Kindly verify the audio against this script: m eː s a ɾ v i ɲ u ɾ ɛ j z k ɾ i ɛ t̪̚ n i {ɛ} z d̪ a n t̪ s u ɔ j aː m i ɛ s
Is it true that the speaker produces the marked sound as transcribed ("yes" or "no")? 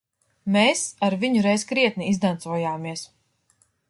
no